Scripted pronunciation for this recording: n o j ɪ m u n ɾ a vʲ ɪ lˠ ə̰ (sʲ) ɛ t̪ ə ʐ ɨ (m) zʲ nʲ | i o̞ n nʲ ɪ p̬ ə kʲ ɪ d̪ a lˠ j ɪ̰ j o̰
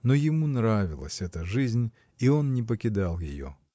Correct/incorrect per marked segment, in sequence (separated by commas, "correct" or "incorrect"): correct, incorrect